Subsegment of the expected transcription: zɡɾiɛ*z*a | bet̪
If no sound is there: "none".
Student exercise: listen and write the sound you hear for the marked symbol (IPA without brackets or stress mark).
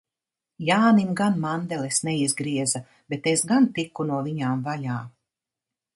z